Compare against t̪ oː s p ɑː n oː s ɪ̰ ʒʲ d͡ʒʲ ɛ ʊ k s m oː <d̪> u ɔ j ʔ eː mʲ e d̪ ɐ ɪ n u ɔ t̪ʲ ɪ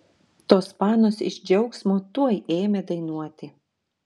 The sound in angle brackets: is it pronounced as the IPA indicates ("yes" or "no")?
no